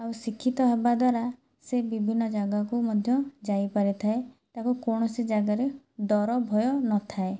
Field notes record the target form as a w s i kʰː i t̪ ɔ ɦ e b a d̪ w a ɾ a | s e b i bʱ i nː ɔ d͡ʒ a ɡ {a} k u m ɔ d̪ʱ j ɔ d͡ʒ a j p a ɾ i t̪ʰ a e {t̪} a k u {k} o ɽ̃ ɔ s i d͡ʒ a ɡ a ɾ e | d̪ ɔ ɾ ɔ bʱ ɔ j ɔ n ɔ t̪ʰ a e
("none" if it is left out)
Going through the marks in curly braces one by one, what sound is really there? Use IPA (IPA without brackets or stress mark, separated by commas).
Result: a, t̪, k